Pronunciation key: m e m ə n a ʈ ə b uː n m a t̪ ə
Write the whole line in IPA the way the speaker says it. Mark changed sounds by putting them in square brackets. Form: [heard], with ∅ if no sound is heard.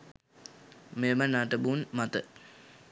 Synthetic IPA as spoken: m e m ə n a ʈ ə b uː n m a t̪ ə